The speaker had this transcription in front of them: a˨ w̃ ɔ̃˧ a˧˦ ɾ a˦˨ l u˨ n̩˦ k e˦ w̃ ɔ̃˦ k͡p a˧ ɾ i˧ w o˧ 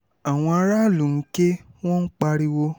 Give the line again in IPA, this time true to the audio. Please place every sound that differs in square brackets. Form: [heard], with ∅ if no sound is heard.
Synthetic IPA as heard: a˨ w̃ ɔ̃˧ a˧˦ ɾ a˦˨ l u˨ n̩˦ k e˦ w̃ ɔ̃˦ k͡p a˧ ɾ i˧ w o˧